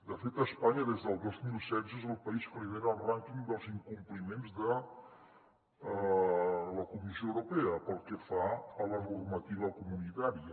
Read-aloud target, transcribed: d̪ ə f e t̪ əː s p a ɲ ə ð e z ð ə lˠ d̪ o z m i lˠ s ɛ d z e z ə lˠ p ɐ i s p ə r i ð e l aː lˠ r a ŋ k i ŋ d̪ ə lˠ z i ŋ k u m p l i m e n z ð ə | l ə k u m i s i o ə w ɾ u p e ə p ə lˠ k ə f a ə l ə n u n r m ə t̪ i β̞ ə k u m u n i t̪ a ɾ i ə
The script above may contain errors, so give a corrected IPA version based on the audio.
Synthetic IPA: d̪ ə f e t̪ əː s p a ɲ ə ð e z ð ə lˠ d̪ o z m i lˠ s ɛ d z e z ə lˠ p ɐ i s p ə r i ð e ɾ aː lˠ r a ŋ k i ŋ d̪ ə lˠ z i ŋ k u m p l i m e n z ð ə | l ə k u m i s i o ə w ɾ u p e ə p ə lˠ k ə f a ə l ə n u r m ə t̪ i β̞ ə k u m u n i t̪ a ɾ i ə